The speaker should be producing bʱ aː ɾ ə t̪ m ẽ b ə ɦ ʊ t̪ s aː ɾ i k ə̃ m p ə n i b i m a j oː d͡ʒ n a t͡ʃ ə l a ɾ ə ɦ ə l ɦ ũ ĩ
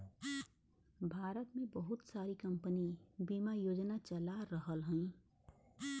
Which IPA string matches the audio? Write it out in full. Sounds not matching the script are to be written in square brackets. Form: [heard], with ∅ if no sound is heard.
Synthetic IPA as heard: bʱ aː ɾ ə t̪ m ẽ b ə ɦ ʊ t̪ s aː ɾ i k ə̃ m p ə n i b i m a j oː d͡ʒ n a t͡ʃ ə l a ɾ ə ɦ ə l ɦ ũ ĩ

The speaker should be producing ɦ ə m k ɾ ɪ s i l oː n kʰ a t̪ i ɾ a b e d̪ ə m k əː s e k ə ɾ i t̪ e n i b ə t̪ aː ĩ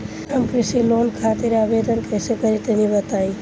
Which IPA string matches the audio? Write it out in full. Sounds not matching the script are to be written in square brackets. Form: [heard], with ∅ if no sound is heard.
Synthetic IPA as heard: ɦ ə m k ɾ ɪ s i l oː n kʰ a t̪ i ɾ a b e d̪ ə [n] k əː s e k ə ɾ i t̪ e n i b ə t̪ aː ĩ

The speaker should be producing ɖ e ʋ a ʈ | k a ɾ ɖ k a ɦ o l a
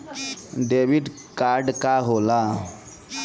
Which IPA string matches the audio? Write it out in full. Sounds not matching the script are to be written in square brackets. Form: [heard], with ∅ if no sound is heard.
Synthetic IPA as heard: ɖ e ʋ [i] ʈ | k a ɾ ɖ k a ɦ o l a

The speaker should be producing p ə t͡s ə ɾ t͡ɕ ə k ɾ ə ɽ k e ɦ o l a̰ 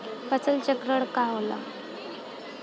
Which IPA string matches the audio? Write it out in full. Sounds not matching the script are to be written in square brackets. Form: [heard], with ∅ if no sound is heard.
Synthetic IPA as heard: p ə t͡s ə [l] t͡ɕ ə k ɾ ə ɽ k [a] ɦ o l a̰

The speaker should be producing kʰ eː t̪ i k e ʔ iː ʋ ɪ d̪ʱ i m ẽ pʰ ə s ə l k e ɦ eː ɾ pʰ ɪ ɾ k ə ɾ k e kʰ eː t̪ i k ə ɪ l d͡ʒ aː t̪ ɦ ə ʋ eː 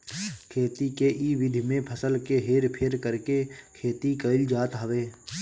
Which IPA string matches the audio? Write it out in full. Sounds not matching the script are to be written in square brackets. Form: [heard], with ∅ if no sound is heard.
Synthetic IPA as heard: kʰ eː t̪ i k e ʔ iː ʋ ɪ d̪ʱ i m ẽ pʰ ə s ə l k e ɦ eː ɾ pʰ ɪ ɾ k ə ɾ k e kʰ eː t̪ i k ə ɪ l d͡ʒ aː t̪ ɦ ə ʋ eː

